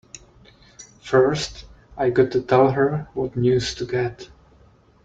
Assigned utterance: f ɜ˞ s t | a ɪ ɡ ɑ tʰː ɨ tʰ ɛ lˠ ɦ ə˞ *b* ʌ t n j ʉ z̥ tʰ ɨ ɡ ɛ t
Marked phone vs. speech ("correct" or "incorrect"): incorrect